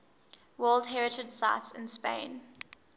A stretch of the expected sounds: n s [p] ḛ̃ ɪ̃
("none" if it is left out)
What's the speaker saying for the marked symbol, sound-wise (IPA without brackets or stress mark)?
p